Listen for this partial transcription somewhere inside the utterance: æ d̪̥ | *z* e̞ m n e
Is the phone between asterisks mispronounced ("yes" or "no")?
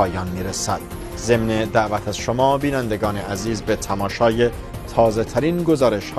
no